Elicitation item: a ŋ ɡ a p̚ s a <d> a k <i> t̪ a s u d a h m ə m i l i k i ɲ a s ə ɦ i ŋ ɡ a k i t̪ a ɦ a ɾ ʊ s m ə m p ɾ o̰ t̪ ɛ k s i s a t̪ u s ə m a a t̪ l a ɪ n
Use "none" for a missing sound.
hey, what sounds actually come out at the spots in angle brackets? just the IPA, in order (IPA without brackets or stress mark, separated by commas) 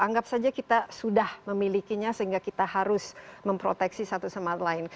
d͡ʒ, i